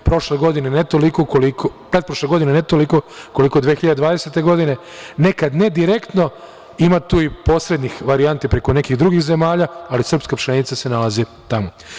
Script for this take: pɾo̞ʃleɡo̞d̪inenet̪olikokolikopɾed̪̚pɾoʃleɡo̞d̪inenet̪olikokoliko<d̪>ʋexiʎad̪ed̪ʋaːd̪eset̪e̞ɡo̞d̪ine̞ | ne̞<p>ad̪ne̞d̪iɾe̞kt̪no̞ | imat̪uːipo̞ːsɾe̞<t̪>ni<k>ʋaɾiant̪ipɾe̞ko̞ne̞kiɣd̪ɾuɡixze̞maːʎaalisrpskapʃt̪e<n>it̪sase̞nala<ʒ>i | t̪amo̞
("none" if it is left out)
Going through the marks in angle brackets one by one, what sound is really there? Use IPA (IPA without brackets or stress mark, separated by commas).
d̪, k, d̪, x, n, z